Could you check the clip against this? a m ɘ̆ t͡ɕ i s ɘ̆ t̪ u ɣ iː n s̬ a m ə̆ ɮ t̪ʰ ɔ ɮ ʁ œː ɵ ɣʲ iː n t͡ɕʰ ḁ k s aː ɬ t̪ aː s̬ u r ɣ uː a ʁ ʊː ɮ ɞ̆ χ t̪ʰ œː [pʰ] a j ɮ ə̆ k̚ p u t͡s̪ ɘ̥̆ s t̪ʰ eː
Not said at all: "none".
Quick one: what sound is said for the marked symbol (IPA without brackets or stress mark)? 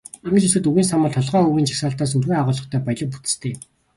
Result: p